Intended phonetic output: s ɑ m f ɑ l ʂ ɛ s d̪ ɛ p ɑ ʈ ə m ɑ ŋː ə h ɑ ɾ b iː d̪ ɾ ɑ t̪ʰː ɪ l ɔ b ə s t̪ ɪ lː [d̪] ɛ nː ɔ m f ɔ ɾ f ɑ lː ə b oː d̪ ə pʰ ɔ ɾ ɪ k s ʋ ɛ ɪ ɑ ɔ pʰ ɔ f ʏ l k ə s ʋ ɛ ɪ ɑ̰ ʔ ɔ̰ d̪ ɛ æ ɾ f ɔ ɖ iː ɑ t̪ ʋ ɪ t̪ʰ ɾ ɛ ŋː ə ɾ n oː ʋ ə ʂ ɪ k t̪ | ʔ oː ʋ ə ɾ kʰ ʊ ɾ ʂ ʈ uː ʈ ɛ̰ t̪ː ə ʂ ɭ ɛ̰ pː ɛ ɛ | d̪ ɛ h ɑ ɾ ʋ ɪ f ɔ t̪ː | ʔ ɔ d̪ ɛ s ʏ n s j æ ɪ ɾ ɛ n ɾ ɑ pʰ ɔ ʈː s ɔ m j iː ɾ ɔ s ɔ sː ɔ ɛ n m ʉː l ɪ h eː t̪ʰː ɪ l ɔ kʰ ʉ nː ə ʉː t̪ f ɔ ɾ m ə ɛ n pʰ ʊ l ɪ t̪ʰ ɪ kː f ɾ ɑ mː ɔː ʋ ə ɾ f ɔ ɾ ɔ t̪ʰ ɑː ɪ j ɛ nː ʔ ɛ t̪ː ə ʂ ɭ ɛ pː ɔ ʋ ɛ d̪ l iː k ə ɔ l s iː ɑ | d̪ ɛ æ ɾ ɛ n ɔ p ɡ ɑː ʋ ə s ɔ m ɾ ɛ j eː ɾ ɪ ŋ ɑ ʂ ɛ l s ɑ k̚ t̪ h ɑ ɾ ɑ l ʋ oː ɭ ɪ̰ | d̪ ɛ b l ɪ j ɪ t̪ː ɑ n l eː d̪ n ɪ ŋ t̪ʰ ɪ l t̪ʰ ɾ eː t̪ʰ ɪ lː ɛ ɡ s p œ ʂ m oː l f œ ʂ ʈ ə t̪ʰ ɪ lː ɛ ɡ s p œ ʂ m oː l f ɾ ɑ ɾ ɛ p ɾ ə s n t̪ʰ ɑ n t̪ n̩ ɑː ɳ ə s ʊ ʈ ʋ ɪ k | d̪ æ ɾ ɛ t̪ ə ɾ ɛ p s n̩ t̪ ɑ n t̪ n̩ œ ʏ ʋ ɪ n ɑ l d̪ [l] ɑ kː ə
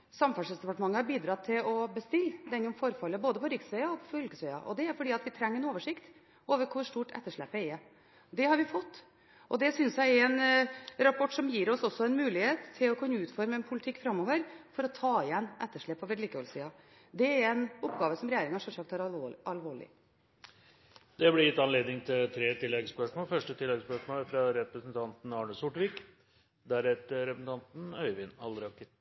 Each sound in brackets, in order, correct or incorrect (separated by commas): correct, incorrect